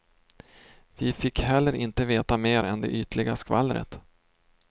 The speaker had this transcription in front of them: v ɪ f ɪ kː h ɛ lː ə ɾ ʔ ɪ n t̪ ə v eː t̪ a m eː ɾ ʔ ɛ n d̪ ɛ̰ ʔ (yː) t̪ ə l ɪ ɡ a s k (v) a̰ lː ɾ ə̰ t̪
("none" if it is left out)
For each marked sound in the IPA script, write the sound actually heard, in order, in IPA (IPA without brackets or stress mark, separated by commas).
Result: yː, v